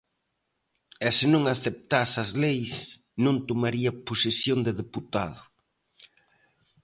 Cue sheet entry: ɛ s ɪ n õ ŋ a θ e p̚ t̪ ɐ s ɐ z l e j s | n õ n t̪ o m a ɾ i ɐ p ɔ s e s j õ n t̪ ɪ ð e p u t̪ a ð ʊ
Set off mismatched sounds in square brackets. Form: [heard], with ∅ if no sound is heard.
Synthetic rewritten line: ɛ s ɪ n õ ŋ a θ e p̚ t̪ [a] s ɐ z l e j s | n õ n t̪ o m a ɾ i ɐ p [o] s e s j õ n [d̪] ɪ ð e p u t̪ a ð ʊ